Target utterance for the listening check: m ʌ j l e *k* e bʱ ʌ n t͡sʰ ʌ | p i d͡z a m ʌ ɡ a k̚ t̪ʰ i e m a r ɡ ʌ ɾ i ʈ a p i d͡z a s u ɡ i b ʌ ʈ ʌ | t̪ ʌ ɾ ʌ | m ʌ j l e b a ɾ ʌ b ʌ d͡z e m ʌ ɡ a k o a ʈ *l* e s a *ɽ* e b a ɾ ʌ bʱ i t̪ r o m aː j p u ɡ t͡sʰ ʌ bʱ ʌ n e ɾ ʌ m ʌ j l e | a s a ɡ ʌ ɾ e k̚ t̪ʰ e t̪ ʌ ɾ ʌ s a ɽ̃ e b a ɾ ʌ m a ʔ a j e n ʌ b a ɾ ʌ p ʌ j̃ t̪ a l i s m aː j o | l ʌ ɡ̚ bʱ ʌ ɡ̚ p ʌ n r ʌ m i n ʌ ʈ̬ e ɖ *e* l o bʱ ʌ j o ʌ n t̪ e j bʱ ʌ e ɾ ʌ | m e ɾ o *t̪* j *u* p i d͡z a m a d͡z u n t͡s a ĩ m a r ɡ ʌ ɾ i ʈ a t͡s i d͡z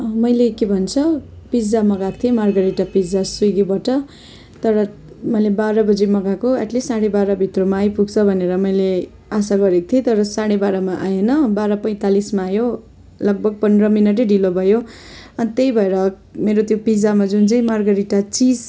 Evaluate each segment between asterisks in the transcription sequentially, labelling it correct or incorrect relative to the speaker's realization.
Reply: correct, correct, correct, incorrect: i, correct, incorrect: o

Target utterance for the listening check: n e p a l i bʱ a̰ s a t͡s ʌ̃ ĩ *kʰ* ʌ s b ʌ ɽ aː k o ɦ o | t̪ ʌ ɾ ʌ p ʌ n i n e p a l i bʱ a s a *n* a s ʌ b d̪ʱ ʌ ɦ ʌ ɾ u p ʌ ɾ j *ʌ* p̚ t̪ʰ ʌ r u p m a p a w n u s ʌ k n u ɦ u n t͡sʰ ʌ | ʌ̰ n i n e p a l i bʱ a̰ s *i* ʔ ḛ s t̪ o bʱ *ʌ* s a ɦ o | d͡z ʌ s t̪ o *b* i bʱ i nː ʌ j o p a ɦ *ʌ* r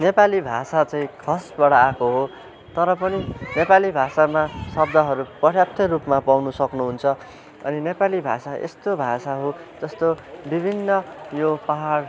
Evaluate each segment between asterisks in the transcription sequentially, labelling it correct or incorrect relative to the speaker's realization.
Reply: correct, incorrect: m, incorrect: a, incorrect: a, incorrect: a, correct, incorrect: a

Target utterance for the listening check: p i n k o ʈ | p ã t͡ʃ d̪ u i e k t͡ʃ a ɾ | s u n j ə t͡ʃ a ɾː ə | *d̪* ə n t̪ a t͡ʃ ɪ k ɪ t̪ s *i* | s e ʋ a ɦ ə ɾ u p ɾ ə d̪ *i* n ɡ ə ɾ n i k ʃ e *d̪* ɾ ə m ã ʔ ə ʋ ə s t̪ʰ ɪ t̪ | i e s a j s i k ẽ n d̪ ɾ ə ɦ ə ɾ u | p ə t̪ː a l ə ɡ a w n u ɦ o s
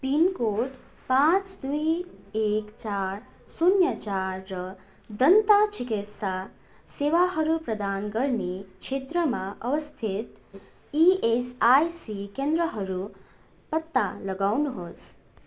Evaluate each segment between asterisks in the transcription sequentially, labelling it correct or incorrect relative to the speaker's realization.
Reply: correct, incorrect: a, incorrect: a, incorrect: t̪

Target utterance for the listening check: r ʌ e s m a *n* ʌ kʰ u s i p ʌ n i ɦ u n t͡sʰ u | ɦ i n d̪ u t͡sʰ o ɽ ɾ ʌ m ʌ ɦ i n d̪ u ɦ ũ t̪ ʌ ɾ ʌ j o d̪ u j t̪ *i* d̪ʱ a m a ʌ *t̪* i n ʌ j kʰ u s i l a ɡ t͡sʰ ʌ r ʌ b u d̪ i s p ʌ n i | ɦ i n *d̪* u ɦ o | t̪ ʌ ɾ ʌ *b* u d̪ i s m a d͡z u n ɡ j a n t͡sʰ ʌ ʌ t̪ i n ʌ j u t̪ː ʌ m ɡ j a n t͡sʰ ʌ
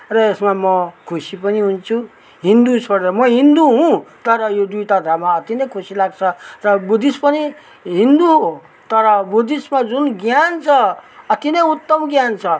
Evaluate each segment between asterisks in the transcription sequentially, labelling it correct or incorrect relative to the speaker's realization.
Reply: incorrect: m, incorrect: a, correct, correct, correct

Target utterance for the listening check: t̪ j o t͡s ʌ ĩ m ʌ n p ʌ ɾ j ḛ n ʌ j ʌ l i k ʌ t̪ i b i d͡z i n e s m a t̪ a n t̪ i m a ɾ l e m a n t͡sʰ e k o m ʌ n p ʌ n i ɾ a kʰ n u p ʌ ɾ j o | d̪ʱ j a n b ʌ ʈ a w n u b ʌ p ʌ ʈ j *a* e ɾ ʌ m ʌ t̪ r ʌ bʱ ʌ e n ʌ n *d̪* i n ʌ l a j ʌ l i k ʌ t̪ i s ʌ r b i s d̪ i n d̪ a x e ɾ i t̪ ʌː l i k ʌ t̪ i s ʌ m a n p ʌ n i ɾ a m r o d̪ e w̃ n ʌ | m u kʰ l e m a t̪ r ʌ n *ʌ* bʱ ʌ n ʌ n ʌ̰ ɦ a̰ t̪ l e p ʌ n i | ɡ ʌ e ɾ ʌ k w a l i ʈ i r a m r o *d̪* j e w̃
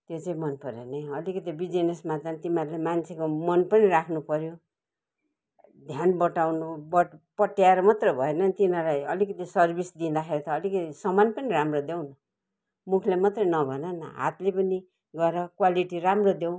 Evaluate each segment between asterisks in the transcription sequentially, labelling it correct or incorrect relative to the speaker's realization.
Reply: correct, incorrect: t̪, correct, correct

